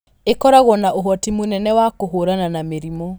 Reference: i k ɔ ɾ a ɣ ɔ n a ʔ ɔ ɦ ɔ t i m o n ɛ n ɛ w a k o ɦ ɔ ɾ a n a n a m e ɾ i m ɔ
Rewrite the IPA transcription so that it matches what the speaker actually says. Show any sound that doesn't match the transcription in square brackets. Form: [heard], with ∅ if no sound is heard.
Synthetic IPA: [e] k ɔ ɾ a ɣ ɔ n a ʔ [o] ɦ ɔ t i m o n ɛ n ɛ w a k o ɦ [o] ɾ a n a n a m e ɾ i m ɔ